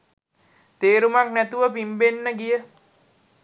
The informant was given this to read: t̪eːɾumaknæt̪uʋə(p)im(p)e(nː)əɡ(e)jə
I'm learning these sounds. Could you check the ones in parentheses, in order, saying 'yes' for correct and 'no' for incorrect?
yes, no, yes, no

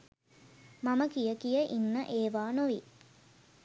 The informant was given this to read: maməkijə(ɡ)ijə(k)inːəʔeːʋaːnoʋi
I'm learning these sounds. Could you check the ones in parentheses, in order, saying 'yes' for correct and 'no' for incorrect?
no, no

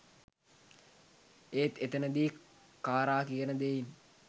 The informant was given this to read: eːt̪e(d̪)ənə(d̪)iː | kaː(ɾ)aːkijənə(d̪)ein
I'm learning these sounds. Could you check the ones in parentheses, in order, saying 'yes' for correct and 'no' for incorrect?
no, yes, yes, yes

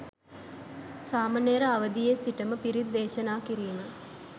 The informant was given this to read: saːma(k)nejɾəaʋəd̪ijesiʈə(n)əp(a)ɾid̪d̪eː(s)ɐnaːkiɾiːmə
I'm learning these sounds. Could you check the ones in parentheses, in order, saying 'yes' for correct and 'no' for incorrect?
no, no, no, no

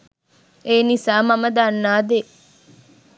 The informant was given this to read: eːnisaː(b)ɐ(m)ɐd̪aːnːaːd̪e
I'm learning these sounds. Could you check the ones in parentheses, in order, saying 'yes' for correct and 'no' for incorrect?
no, yes

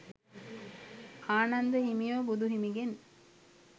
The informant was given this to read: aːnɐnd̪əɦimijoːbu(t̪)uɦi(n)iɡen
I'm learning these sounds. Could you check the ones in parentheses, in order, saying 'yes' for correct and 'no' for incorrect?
no, no

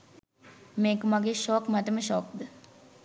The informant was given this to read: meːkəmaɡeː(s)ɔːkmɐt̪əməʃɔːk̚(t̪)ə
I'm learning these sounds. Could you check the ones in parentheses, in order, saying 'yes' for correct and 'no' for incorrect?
no, no

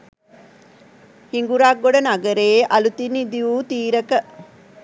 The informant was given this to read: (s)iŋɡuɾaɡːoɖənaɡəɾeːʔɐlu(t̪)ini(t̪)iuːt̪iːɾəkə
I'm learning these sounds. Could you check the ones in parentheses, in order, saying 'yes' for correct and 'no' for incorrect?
no, yes, no

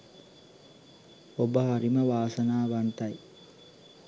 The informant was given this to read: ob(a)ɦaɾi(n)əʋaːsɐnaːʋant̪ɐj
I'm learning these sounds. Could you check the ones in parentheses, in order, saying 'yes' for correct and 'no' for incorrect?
no, no

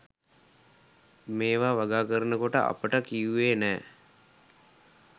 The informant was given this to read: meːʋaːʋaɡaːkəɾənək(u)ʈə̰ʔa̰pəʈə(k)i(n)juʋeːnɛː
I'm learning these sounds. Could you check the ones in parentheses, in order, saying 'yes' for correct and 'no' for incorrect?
no, yes, no

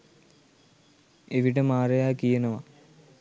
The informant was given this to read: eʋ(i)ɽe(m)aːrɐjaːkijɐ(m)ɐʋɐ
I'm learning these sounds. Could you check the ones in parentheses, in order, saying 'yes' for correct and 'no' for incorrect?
yes, yes, no

